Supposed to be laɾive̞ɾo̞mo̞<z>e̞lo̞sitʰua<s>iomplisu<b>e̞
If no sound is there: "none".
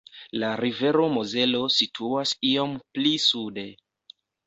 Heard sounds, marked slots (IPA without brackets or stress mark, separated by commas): z, s, d